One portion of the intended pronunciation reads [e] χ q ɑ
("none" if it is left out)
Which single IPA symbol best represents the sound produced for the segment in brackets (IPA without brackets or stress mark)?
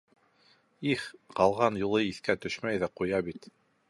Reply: i